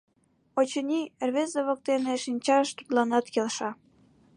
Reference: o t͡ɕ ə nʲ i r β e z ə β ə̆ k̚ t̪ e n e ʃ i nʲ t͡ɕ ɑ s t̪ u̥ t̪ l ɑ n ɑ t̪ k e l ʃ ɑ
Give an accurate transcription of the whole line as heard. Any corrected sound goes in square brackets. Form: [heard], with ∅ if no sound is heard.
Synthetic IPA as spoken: o t͡ɕ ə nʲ i r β e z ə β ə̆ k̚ t̪ e n e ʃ i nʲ t͡ɕ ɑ [ʃ] t̪ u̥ t̪ l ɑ n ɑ t̪ k e l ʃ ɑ